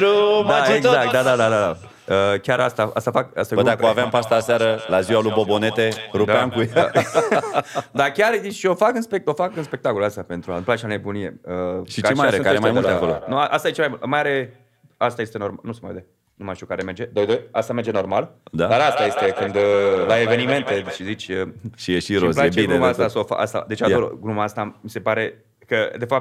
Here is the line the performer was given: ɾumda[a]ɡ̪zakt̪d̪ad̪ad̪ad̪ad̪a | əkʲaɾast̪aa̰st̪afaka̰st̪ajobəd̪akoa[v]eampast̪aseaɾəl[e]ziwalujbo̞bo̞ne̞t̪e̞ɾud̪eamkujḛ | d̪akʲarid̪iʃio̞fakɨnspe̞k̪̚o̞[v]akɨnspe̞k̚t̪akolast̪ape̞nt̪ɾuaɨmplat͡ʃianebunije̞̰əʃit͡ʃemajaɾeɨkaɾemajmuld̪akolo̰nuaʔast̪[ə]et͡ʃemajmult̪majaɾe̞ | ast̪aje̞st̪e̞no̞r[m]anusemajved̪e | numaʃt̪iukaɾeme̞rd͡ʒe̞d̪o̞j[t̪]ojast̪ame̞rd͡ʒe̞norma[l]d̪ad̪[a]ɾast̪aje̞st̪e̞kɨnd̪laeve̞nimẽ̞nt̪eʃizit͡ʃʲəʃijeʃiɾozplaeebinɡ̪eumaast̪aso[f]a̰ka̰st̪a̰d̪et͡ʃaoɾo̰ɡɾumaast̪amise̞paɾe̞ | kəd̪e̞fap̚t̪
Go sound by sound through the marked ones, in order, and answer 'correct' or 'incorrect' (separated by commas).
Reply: incorrect, correct, incorrect, incorrect, incorrect, correct, incorrect, correct, correct, correct